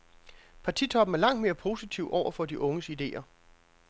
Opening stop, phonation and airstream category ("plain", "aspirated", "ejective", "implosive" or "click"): aspirated